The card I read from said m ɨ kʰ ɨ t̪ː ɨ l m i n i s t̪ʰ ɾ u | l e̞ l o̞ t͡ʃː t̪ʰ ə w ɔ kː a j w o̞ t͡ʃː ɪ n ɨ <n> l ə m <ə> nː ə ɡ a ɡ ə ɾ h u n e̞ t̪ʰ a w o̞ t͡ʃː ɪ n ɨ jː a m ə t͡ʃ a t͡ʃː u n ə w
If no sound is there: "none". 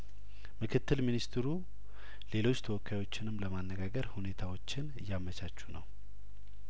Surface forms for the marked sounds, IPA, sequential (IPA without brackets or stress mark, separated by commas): m, a